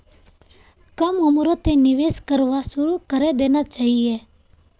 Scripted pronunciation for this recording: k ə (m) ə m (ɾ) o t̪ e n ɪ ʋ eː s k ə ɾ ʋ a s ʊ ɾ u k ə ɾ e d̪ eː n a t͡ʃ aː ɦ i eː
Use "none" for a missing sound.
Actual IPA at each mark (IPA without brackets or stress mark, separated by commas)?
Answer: m, ɾ